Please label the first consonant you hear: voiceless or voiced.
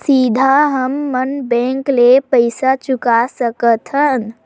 voiceless